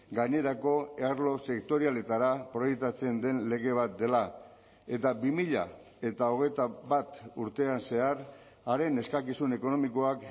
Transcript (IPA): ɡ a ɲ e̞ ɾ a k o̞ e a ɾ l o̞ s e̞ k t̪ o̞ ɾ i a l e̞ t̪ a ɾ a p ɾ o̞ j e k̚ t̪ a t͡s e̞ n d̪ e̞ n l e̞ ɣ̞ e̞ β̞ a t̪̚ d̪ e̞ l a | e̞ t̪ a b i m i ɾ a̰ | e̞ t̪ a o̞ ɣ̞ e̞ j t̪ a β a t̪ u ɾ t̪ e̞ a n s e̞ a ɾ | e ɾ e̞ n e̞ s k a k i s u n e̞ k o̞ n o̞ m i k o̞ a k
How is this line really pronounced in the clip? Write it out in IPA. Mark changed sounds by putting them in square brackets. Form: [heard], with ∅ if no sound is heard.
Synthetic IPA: ɡ a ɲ e̞ ɾ a k o̞ e a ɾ l o̞ s e̞ k t̪ o̞ ɾ i a l e̞ t̪ a ɾ a p ɾ o̞ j e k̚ t̪ a t͡s e̞ n d̪ e̞ n l e̞ ɣ̞ e̞ β̞ a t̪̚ d̪ e̞ l a | e̞ t̪ a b i m i [ʎ] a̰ | e̞ t̪ a o̞ ɣ̞ e̞ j t̪ a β a t̪ u ɾ t̪ e̞ a n s e̞ a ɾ | [a] ɾ e̞ n e̞ s k a k i s u n e̞ k o̞ n o̞ m i k o̞ a k